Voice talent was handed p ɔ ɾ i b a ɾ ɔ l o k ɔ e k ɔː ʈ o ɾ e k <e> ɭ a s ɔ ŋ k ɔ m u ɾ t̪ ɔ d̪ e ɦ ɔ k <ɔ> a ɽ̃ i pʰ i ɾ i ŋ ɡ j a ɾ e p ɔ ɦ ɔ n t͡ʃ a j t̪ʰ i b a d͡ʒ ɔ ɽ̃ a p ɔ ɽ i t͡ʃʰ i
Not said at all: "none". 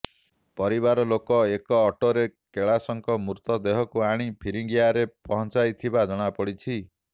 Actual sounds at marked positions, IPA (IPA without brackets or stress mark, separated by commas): e, u